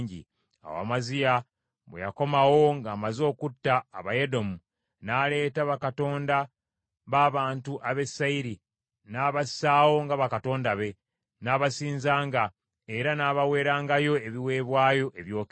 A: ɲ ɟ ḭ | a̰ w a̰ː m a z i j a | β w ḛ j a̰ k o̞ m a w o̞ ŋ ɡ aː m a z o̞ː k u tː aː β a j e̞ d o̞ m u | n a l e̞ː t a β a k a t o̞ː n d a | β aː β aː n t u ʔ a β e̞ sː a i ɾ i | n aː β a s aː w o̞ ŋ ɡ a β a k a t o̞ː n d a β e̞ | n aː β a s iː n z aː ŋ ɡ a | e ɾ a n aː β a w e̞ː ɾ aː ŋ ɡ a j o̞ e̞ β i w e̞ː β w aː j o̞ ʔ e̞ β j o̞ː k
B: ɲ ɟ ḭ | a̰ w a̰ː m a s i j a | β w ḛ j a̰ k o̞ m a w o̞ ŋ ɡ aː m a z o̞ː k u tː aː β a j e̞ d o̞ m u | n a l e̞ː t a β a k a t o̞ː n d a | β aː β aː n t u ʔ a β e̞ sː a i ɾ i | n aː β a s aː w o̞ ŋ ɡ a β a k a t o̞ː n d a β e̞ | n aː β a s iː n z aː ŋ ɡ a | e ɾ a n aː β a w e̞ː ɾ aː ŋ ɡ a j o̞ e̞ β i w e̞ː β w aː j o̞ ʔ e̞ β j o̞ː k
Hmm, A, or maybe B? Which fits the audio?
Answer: A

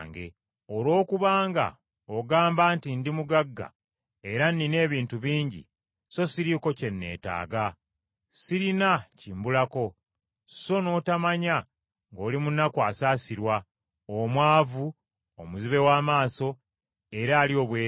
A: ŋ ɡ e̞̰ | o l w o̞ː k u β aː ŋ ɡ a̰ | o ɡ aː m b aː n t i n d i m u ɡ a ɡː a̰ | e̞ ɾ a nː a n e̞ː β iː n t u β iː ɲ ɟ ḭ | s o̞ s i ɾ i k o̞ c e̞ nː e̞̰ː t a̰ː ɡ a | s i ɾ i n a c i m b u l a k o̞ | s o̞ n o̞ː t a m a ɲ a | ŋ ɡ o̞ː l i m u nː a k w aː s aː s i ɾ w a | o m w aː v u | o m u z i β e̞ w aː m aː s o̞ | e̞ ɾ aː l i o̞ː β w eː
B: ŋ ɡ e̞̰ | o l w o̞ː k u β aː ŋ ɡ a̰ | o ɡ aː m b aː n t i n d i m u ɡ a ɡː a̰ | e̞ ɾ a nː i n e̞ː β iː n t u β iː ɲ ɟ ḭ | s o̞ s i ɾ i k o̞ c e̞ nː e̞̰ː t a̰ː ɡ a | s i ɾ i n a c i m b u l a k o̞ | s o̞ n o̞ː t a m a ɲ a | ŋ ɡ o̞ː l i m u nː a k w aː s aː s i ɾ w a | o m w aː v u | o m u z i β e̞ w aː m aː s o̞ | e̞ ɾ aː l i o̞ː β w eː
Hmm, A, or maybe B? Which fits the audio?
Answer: B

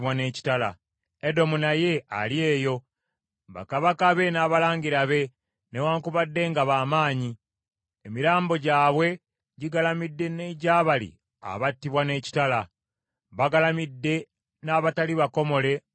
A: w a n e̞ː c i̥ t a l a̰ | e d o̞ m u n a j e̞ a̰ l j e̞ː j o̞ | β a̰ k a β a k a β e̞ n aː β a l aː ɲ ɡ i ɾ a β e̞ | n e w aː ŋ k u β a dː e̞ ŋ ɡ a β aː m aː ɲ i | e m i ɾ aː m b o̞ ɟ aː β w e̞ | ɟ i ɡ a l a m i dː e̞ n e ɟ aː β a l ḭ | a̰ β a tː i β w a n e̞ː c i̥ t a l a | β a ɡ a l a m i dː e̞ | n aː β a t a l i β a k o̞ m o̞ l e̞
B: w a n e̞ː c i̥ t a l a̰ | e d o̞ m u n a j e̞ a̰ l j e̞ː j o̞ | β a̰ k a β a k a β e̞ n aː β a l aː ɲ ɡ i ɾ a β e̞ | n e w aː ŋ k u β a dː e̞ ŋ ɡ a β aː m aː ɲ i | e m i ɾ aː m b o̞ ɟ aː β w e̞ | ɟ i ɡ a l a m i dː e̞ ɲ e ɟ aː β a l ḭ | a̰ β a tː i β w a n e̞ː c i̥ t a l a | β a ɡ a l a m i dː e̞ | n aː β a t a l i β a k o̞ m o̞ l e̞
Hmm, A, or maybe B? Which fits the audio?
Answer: A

